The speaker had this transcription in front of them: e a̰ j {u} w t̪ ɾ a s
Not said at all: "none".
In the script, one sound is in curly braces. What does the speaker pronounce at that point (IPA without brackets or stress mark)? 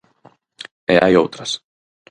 o